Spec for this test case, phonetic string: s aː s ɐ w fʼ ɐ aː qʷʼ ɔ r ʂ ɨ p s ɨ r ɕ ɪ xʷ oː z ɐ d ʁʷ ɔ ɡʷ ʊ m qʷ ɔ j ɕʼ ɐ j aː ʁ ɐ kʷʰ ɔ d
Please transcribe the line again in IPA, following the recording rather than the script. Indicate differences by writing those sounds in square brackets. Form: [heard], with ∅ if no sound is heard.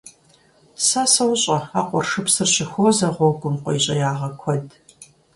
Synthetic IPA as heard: s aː s ɐ w [ɕʼ] ɐ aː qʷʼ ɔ r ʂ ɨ p s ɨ r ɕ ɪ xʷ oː z ɐ [∅] ʁʷ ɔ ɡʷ ʊ m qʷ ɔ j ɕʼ ɐ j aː ʁ ɐ kʷʰ ɔ d